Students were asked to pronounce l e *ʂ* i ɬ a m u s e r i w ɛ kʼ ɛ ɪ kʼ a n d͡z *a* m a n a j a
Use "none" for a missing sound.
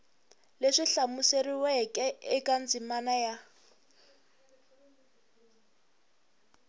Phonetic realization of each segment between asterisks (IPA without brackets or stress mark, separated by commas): ʂ, i